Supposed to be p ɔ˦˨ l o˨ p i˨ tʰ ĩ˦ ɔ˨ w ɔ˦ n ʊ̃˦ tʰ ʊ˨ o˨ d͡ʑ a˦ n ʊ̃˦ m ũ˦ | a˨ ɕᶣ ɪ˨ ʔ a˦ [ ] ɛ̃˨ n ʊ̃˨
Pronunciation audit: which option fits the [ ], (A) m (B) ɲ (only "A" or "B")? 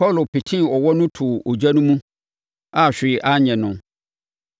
B